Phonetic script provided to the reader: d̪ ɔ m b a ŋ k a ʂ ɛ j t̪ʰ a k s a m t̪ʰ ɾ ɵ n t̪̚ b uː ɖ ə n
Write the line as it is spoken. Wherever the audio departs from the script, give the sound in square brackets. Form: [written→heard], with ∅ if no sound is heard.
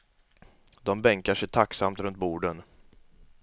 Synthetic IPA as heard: d̪ ɔ m b [a→ɛ] ŋ k a ʂ ɛ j t̪ʰ a k s a m [t̪ʰ→t̪] ɾ ɵ n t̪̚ b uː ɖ ə n